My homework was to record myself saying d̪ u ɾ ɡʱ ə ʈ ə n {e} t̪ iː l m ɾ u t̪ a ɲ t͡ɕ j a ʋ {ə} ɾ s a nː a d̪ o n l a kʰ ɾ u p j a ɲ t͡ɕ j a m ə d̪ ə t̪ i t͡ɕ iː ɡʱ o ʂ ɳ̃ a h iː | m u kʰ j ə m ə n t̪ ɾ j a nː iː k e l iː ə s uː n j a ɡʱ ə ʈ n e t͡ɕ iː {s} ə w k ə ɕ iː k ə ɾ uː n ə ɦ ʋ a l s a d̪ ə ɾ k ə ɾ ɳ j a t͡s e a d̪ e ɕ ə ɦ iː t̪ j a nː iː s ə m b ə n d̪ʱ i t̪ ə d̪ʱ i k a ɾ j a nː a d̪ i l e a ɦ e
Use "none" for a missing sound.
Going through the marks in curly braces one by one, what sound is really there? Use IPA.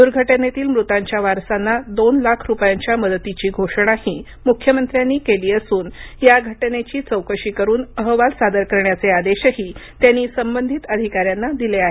e, a, t͡s

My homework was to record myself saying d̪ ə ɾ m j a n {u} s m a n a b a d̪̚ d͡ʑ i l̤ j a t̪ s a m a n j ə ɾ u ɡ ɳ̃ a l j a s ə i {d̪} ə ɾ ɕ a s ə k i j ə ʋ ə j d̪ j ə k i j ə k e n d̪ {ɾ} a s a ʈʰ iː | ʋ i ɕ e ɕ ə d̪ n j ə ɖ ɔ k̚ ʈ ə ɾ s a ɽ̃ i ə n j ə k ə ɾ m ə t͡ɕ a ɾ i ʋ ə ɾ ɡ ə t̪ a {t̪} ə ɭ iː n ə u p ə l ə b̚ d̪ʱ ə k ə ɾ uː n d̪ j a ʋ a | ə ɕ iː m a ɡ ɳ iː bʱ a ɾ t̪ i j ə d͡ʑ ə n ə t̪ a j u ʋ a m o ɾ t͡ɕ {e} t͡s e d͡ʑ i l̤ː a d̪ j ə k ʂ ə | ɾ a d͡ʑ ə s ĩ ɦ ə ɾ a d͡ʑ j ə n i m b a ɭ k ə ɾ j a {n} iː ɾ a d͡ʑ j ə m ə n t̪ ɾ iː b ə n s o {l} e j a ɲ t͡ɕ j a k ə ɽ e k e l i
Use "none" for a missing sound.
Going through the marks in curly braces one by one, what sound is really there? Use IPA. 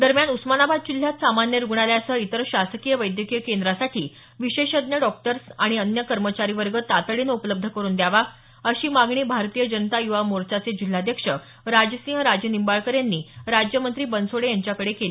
u, t̪, ɾ, t̪, a, nː, ɽ

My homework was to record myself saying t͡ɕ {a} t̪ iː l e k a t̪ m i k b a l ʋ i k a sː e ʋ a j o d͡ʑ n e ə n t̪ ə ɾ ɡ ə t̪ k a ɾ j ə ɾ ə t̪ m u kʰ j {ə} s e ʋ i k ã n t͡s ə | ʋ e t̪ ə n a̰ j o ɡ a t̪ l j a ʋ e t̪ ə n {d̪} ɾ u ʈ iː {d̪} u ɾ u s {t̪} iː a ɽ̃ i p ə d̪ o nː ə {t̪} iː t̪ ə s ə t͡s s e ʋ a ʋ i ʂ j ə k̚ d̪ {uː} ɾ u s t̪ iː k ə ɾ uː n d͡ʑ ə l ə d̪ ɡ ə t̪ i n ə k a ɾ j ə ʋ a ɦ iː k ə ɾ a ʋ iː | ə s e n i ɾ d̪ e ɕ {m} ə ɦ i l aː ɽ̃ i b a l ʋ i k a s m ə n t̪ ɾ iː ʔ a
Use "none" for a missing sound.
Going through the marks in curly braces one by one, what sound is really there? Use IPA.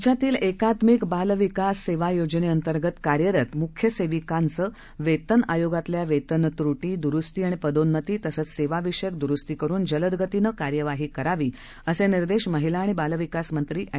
a, ə, t̪, d̪, t̪, t̪, u, m

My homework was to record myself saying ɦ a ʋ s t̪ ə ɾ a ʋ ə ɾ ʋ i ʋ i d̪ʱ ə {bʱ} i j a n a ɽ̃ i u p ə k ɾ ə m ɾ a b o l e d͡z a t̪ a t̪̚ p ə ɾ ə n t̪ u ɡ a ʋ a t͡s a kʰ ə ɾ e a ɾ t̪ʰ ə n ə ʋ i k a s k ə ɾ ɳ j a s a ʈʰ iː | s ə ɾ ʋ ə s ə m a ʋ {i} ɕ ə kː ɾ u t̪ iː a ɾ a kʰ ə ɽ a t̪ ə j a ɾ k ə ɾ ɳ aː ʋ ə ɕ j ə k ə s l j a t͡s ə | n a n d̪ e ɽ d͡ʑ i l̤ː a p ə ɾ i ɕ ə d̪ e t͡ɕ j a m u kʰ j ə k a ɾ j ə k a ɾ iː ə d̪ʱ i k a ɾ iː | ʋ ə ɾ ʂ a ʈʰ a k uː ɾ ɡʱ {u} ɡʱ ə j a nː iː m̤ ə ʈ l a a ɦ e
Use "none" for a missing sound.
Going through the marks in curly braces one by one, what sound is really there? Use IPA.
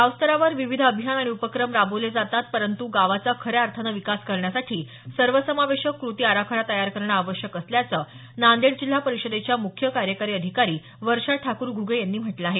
bʱ, e, u

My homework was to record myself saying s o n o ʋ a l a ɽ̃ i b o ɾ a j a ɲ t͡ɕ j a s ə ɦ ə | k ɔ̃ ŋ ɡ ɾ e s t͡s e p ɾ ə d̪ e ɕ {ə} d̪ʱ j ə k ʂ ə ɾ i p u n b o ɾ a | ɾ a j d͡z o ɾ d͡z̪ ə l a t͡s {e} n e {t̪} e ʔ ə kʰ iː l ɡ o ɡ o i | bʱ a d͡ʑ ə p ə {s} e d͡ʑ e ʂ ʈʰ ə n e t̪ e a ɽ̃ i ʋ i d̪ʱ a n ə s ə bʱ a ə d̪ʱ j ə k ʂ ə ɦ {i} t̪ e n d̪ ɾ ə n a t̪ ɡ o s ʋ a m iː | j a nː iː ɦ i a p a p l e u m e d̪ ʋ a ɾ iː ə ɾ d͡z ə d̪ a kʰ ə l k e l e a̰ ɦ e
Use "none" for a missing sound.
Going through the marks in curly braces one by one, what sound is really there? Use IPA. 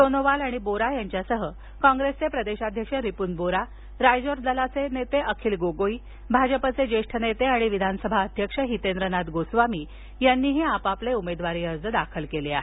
a, e, t̪, t͡s, i

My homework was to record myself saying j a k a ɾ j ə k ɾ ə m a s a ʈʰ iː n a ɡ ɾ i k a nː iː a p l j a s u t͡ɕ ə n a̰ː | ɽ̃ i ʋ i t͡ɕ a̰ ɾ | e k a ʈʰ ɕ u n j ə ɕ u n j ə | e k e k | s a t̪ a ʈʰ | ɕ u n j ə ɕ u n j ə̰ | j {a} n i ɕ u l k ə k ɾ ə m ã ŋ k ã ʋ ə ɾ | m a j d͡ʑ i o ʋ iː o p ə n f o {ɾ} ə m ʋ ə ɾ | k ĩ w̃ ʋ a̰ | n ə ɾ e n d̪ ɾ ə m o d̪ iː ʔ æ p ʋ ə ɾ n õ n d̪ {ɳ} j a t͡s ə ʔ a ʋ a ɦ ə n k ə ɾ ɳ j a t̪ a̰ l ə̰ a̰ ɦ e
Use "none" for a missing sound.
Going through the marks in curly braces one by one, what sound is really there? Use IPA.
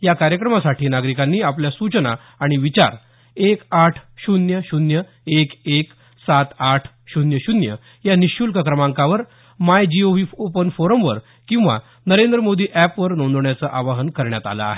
a, ɾ, ɳ

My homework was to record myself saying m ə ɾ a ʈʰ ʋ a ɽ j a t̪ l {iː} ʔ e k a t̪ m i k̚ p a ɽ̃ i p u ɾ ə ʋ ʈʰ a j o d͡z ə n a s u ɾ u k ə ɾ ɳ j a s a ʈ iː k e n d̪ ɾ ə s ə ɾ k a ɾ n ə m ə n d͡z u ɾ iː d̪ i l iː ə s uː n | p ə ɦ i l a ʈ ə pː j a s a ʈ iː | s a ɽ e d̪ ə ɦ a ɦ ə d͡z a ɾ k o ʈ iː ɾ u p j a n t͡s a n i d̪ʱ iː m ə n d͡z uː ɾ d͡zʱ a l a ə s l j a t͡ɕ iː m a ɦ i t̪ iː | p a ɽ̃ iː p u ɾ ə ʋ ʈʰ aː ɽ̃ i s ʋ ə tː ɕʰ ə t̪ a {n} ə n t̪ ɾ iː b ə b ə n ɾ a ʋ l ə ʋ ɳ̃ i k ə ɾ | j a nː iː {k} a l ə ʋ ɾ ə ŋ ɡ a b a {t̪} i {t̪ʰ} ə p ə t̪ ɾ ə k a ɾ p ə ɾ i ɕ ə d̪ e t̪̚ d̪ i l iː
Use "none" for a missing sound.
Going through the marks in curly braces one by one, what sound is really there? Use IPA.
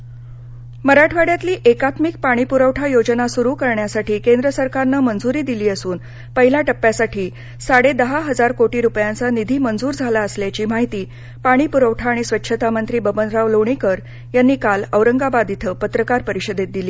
iː, m, k, d̪, t̪ʰ

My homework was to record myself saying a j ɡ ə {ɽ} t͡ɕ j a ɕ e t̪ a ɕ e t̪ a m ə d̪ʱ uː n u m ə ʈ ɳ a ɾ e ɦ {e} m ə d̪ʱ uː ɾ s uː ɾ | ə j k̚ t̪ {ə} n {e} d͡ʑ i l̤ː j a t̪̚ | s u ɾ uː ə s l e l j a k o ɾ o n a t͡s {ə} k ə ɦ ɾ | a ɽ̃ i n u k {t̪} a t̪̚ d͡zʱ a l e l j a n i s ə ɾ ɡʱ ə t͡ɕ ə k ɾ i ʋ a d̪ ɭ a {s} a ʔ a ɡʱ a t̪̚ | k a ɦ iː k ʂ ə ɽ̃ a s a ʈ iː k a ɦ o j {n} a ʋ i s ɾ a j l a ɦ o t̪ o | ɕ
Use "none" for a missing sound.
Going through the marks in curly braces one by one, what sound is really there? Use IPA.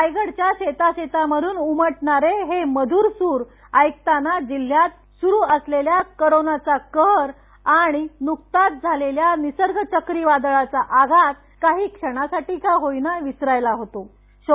ɽ, e, a, a, a, t̪, t͡s, n

